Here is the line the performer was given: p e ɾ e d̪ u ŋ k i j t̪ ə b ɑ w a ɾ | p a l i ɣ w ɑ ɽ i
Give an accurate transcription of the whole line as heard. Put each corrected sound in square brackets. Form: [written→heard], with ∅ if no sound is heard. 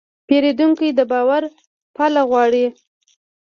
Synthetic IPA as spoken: p e ɾ e d̪ u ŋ k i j [t̪→d̪] ə b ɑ w a ɾ | p a l [i→a] ɣ w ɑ ɽ i

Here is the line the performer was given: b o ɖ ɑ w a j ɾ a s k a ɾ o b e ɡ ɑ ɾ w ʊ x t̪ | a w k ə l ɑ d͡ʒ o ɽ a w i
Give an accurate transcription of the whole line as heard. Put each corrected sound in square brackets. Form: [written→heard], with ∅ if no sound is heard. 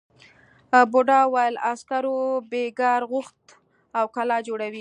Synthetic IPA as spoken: b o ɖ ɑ w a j [ɾ→l] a s k a ɾ o b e ɡ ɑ ɾ [w→ɣ] ʊ x t̪ | a w k [ə→a] l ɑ d͡ʒ o ɽ a w i

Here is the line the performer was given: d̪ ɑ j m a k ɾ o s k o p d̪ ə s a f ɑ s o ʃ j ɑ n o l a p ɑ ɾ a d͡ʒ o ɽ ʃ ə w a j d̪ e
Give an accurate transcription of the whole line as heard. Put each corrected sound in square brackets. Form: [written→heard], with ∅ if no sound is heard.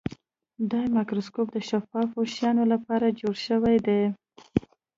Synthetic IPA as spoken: d̪ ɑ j m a k ɾ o s k o p d̪ ə [s→ʃ] a f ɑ [s→f] o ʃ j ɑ n o l a p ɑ ɾ a d͡ʒ o ɽ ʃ ə w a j d̪ e

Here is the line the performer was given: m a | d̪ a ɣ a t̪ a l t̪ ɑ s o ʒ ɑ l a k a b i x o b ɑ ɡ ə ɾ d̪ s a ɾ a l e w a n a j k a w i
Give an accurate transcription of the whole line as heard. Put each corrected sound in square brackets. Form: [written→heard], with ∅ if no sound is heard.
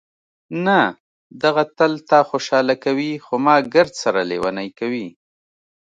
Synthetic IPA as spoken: [m→n] a | d̪ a ɣ a t̪ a l t̪ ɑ [s→x] o [ʒ→ʃ] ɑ l a k a [b→w] i x o [b→m] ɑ ɡ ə ɾ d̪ s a ɾ a l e w a n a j k a w i

